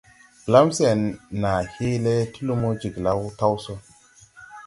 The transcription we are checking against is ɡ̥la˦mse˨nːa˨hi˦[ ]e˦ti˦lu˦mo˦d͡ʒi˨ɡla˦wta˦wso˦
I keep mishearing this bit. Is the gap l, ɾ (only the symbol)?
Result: l